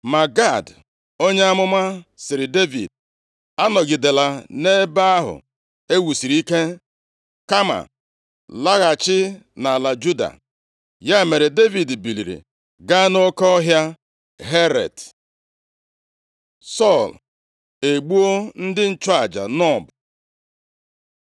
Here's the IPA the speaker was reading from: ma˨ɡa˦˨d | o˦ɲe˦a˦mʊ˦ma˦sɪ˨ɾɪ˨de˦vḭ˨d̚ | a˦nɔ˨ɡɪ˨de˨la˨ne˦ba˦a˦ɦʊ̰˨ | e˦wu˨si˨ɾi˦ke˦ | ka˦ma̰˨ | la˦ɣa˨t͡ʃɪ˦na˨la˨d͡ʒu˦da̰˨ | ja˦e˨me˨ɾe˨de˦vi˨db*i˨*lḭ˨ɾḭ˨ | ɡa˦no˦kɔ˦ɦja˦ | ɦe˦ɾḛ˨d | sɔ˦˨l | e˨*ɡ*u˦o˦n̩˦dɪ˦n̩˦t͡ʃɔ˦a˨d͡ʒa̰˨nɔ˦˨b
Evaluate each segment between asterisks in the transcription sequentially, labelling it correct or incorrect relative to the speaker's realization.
correct, incorrect: ɡ͡b

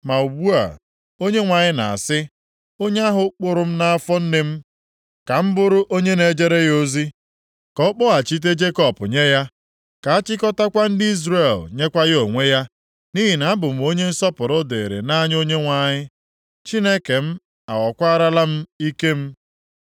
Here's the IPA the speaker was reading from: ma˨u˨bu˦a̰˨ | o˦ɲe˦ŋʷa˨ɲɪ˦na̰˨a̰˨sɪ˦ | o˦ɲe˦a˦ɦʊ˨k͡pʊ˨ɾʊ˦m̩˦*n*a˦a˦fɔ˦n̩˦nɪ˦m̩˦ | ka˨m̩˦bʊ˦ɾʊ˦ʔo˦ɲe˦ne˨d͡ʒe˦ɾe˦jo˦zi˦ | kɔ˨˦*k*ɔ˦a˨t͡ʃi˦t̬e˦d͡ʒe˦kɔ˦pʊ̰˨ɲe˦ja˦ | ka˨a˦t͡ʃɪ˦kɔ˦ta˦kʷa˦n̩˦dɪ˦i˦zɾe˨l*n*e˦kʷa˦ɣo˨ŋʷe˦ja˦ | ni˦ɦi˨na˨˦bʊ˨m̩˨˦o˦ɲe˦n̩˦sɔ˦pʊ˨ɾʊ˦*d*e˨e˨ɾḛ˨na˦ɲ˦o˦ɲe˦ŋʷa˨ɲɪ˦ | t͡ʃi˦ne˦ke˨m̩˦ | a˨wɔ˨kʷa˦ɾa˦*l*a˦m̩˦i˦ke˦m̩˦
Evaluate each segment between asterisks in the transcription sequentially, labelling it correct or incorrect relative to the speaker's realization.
correct, incorrect: k͡p, incorrect: ɲ, correct, correct

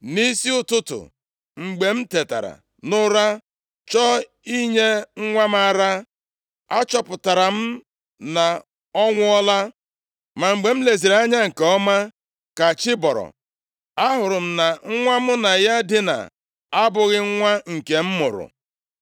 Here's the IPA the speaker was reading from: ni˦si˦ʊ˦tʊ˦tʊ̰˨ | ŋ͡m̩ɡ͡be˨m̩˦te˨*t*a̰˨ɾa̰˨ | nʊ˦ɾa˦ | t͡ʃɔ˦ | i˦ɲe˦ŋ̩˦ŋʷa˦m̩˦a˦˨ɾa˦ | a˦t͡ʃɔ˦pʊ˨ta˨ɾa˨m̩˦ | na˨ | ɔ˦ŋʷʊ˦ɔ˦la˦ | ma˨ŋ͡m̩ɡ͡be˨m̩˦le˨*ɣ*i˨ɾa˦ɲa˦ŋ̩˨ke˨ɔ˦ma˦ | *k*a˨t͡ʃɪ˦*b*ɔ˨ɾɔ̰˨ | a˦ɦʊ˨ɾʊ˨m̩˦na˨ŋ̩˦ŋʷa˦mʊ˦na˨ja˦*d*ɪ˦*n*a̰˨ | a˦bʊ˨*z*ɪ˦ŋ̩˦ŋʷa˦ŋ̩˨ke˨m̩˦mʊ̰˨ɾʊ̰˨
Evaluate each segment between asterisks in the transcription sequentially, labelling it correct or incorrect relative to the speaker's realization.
correct, incorrect: z, correct, correct, correct, correct, incorrect: ɣ

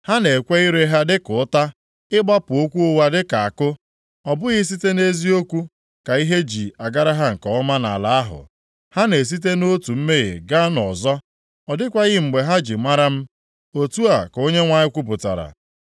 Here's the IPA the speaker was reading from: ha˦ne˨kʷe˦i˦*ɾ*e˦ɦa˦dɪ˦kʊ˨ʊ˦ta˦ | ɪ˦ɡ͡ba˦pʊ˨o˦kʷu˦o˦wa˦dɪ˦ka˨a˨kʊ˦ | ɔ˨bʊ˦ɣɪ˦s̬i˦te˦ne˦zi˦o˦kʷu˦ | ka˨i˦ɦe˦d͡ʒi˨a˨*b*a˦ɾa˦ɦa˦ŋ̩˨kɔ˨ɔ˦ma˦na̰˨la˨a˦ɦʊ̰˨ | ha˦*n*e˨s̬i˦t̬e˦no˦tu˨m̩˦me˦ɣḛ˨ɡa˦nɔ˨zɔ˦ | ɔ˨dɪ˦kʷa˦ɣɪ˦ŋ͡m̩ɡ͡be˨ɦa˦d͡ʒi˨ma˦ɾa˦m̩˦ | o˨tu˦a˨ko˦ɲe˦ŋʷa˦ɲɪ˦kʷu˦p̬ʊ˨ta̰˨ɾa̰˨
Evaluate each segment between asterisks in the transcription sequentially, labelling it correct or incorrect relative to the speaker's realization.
correct, incorrect: ɡ, correct

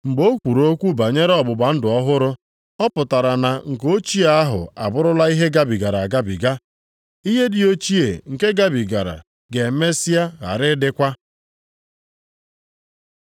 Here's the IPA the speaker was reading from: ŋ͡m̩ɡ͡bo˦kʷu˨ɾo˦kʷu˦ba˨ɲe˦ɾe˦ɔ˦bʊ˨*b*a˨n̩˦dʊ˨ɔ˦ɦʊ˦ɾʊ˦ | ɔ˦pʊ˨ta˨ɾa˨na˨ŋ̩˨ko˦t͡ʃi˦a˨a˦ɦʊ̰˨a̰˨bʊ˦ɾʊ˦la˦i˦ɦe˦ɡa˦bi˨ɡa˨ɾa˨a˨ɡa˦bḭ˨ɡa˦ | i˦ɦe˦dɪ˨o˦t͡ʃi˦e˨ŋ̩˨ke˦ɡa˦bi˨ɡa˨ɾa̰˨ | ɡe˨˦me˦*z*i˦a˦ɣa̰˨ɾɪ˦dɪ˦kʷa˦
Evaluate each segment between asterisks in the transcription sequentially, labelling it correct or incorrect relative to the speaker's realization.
correct, incorrect: s

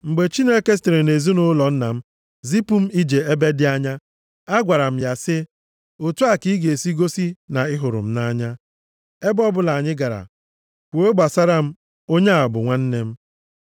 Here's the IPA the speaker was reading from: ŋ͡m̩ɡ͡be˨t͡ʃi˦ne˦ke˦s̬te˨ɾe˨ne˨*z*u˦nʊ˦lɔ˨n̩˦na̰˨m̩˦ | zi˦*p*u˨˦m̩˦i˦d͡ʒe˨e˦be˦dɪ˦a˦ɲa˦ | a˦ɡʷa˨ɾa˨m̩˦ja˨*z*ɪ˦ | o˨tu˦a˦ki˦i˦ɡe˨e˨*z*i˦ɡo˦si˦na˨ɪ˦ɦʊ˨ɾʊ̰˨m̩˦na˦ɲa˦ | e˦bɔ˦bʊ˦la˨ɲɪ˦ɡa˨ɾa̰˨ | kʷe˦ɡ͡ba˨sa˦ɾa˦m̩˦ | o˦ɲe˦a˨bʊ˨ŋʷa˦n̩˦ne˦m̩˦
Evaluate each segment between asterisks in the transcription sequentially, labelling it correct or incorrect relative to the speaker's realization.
correct, correct, incorrect: s, incorrect: s

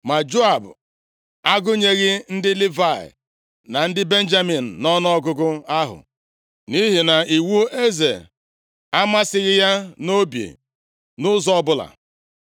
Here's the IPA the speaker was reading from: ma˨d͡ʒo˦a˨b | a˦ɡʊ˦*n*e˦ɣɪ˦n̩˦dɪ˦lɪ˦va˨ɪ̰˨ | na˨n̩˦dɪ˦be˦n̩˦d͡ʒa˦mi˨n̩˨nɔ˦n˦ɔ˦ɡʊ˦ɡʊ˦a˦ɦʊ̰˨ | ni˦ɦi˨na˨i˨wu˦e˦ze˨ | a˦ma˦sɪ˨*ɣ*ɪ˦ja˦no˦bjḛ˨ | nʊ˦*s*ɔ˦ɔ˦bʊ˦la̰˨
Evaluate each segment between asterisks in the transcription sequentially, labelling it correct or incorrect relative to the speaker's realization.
incorrect: ɲ, correct, incorrect: z

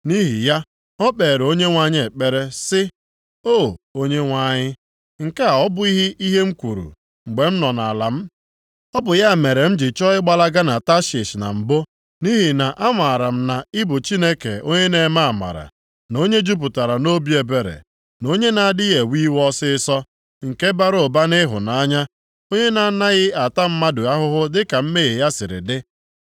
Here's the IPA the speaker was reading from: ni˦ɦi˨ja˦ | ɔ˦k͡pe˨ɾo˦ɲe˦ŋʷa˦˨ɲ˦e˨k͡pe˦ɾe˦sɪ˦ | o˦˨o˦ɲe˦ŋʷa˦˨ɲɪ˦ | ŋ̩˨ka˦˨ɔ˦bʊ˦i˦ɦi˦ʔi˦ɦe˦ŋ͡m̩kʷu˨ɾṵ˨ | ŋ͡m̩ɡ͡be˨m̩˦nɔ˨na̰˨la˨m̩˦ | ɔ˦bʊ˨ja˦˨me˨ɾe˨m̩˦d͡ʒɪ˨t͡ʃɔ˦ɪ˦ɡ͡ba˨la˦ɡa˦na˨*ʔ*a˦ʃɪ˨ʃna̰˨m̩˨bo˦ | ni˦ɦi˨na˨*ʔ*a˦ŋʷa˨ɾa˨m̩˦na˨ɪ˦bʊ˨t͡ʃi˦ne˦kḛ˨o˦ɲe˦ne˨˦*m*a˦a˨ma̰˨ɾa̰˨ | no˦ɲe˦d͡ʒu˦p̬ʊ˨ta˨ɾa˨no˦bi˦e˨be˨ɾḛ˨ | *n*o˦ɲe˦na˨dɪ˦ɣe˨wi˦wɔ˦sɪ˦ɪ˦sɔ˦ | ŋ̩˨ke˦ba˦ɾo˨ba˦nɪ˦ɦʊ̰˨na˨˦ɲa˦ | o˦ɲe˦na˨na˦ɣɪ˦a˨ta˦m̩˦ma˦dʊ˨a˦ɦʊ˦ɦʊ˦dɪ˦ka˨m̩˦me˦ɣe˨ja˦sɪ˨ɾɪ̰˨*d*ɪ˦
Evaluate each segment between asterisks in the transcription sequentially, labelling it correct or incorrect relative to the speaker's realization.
incorrect: t, correct, correct, correct, correct

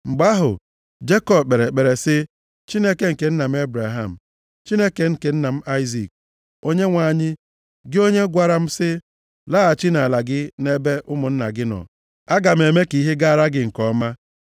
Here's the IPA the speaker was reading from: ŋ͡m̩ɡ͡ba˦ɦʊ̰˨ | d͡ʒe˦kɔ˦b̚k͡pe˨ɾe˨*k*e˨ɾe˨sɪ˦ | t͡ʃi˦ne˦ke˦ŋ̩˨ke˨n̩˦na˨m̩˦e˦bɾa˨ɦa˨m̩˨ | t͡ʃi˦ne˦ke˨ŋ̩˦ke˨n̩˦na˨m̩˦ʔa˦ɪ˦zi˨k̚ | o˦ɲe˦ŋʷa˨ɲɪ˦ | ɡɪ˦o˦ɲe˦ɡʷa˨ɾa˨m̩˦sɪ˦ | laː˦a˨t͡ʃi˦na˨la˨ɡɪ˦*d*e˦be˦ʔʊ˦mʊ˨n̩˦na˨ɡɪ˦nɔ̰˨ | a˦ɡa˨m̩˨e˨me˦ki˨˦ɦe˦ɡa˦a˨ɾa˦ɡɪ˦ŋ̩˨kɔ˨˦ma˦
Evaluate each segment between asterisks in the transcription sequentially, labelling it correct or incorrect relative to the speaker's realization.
incorrect: k͡p, incorrect: n

